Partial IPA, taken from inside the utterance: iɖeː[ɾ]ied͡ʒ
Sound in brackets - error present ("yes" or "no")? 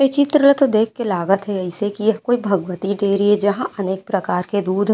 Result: no